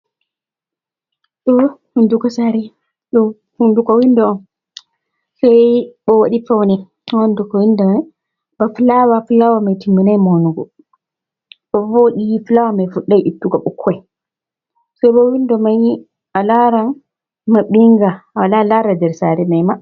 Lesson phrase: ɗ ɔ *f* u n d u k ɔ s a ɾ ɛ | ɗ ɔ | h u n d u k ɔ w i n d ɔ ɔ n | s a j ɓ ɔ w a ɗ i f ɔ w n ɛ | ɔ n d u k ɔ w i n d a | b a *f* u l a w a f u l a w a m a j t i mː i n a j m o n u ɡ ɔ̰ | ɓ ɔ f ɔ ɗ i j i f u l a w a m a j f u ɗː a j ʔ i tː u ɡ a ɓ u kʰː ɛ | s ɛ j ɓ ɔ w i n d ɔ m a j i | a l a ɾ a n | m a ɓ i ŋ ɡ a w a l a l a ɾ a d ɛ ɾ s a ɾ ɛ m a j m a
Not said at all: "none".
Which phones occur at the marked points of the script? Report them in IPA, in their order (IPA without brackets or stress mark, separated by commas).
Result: h, f